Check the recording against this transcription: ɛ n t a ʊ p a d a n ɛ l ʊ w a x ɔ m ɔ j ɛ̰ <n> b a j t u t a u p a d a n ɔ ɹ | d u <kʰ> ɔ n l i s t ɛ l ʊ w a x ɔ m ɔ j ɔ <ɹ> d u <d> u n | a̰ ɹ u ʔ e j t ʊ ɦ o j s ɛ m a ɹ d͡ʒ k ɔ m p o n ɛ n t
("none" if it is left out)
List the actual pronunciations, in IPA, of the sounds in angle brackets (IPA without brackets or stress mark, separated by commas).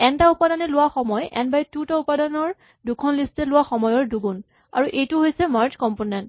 n, kʰ, ɹ, ɡ